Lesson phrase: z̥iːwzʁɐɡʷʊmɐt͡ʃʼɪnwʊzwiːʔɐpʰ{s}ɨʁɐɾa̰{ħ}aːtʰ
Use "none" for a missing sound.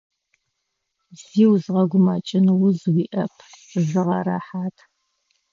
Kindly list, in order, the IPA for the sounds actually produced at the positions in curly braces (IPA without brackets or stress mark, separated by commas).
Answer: z, ħ